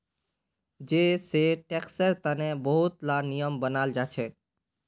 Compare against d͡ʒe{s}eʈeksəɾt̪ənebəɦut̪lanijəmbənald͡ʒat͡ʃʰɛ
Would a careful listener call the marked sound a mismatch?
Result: no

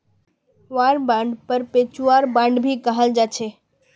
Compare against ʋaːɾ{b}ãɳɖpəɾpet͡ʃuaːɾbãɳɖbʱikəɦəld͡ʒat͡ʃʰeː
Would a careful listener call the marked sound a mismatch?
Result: no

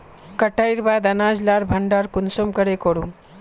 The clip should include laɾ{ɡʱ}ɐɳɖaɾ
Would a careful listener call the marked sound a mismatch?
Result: yes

